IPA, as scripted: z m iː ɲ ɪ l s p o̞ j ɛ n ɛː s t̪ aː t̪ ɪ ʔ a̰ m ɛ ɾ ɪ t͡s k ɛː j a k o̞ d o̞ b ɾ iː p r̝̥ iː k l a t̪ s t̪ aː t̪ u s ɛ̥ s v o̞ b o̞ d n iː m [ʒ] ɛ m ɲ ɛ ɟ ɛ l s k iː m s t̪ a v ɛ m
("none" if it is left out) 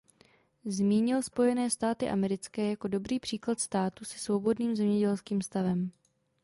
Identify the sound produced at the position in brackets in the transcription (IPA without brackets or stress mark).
z